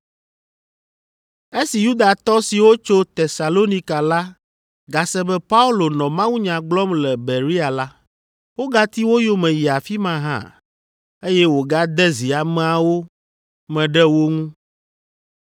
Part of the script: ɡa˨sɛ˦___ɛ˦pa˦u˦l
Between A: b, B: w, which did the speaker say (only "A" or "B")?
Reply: A